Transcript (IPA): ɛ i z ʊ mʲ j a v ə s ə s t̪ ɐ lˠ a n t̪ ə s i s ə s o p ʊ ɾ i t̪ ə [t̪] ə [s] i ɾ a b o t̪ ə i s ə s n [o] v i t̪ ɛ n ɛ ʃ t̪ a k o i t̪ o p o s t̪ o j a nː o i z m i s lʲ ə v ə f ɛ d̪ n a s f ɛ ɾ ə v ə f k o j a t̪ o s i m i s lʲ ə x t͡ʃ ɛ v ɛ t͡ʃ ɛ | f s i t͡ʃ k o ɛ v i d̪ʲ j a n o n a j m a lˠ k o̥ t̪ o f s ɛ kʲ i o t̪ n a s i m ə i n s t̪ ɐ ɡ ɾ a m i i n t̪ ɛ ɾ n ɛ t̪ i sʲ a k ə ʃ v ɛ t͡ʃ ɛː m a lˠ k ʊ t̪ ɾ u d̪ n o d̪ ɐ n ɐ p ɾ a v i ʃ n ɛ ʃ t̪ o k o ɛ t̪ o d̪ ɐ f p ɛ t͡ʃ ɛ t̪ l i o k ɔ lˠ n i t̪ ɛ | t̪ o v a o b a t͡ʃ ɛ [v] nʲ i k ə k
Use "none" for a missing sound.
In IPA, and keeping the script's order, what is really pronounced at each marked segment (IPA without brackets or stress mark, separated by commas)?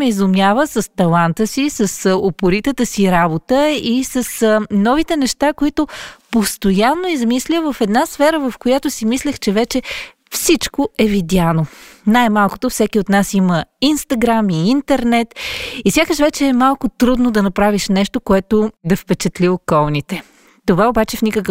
t̪, s, ɔ, f